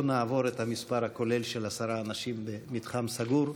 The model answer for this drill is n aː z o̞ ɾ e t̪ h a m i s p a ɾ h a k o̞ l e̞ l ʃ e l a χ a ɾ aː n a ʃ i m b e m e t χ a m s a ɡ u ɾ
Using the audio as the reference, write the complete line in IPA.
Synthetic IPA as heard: n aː v o̞ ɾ e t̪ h a m i s p a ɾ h a k o̞ l e̞ l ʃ e l a s a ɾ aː n a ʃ i m b e m i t χ a m s a ɡ u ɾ